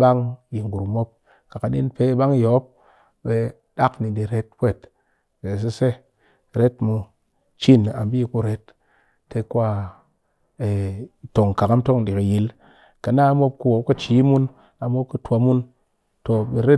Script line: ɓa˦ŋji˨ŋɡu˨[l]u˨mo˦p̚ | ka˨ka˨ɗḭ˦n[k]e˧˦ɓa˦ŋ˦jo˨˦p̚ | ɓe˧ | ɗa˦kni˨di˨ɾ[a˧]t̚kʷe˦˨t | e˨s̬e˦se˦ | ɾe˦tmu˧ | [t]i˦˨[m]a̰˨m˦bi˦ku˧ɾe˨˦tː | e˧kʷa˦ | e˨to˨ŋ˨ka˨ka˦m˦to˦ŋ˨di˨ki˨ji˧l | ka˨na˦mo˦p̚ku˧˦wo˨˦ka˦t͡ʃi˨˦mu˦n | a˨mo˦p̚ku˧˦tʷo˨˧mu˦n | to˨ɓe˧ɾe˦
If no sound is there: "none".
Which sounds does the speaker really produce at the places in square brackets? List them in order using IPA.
ɾ, p, e˧, t͡ʃ, n

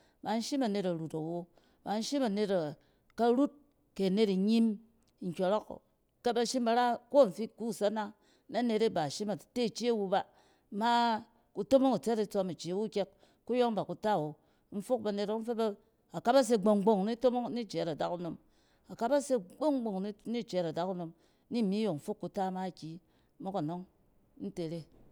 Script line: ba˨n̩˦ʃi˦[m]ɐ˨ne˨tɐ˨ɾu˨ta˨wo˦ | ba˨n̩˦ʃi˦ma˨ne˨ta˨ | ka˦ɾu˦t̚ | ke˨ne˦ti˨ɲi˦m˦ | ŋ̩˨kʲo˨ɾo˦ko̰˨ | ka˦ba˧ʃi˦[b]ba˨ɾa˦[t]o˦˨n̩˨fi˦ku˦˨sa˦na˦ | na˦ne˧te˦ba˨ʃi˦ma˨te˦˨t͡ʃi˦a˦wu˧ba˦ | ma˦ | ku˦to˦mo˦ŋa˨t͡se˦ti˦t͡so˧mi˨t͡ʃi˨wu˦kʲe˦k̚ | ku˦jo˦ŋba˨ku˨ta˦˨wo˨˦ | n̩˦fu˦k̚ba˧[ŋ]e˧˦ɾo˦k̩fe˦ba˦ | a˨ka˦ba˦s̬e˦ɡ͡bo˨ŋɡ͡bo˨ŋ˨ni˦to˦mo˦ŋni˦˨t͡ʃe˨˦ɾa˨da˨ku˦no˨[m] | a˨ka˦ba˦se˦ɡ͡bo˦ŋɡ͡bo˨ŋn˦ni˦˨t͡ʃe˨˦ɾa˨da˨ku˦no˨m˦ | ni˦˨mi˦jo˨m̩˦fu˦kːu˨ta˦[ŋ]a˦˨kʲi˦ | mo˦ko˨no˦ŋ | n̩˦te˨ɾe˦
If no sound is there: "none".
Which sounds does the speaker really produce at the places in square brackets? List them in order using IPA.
m, m, k, n, m, m

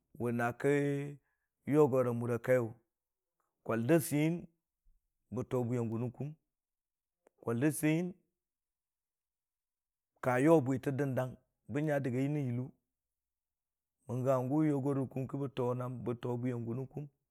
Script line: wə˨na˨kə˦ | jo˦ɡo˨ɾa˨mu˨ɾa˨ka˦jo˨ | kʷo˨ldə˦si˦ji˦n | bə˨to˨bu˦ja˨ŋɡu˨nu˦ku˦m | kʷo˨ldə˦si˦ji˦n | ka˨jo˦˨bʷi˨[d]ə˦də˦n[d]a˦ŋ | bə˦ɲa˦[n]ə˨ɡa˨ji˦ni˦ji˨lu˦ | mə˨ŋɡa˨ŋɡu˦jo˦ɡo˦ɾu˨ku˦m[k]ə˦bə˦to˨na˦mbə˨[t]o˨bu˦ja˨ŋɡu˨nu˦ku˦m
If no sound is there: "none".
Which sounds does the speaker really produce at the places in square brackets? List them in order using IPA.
t, d, d, k, t

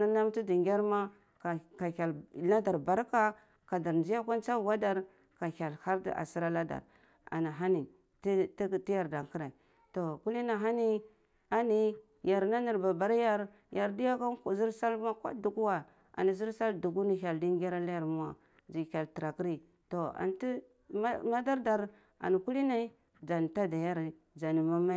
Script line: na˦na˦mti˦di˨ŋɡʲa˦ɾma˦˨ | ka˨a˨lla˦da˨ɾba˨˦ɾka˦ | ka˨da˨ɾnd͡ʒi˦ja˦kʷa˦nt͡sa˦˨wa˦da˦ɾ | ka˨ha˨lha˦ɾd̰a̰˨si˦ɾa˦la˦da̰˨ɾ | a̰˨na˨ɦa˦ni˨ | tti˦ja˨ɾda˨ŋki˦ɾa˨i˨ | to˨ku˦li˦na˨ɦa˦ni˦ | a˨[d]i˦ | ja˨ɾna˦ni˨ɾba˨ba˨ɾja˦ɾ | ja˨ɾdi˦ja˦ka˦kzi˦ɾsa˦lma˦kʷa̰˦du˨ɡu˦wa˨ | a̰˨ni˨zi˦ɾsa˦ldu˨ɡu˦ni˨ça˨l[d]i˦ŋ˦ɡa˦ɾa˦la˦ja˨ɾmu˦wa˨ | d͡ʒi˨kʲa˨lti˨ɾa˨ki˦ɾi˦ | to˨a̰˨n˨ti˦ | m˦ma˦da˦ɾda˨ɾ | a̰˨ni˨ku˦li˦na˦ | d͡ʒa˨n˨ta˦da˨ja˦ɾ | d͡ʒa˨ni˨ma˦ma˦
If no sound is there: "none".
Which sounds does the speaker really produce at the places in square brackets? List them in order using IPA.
n, d

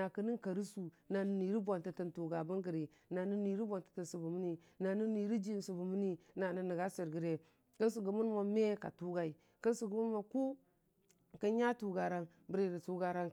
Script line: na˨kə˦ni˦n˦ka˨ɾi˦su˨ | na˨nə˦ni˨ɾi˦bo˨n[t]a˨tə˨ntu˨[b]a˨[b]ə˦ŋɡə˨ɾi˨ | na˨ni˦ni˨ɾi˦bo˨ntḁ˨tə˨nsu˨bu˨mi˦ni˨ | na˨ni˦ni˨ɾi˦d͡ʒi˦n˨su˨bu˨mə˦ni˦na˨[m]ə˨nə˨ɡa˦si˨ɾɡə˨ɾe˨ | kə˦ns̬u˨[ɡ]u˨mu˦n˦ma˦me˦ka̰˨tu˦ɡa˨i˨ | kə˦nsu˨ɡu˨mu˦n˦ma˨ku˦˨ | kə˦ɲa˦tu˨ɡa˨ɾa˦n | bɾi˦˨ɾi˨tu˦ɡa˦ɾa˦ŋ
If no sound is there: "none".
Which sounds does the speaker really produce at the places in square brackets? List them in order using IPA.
t, ɡ, b, n, ɡ

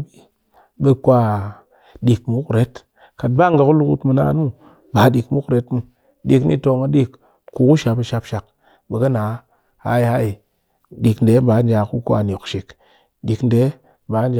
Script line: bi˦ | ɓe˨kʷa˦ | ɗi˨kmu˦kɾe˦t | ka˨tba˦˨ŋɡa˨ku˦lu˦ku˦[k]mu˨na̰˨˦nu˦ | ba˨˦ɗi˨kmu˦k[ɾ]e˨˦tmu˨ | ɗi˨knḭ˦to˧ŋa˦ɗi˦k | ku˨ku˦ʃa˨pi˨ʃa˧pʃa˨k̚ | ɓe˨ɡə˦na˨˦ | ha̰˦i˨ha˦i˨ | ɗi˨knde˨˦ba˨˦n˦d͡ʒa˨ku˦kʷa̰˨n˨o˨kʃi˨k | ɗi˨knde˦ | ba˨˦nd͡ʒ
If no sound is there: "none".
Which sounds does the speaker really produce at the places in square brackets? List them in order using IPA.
t, ɾ

